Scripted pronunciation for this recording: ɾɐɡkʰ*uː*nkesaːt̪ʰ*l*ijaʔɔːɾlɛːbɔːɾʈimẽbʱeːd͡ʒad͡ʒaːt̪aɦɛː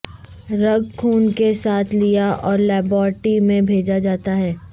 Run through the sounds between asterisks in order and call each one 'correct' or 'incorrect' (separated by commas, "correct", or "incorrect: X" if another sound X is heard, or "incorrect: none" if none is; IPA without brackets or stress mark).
correct, correct